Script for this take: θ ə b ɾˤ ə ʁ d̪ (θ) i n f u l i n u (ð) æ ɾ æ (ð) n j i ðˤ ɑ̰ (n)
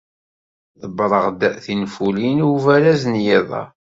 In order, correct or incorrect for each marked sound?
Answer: correct, incorrect, incorrect, incorrect

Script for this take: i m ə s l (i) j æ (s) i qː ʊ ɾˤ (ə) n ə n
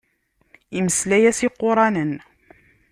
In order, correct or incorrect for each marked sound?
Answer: incorrect, correct, incorrect

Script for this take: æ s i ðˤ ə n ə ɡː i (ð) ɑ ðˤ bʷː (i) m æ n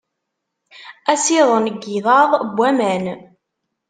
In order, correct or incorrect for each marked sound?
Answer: correct, incorrect

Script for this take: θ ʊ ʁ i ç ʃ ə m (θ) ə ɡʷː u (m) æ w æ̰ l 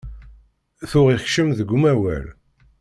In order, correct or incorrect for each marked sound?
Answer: incorrect, correct

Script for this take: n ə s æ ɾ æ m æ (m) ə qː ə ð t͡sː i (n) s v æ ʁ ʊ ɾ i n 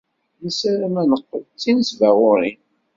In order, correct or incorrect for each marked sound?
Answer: incorrect, correct

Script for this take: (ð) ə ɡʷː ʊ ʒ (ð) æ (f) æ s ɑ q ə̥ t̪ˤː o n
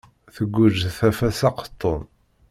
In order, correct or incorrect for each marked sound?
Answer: incorrect, incorrect, correct

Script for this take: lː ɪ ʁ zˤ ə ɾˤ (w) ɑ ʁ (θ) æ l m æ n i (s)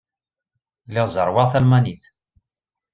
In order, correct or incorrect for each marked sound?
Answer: correct, correct, incorrect

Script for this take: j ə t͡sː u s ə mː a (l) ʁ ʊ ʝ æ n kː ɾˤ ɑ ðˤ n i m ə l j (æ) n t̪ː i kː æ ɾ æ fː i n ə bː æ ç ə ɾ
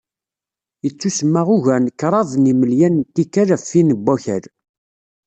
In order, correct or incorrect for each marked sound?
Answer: incorrect, correct

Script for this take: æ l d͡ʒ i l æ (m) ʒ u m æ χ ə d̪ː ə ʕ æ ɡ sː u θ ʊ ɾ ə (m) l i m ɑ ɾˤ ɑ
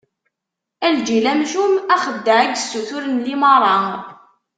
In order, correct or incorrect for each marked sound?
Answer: correct, incorrect

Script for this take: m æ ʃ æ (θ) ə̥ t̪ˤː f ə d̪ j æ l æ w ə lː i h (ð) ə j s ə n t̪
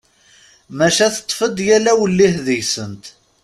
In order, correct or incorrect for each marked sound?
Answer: correct, correct

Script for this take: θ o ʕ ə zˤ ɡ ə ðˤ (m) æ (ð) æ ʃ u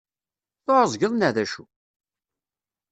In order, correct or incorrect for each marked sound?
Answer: incorrect, correct

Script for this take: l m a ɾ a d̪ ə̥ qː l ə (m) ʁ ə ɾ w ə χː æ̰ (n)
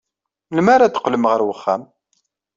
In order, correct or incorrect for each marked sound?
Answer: correct, incorrect

